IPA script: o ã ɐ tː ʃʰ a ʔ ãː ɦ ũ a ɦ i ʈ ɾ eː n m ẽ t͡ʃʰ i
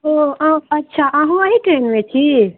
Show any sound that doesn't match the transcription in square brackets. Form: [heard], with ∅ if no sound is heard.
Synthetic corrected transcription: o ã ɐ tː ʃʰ a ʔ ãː ɦ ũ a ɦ i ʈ ɾ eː n m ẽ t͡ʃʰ i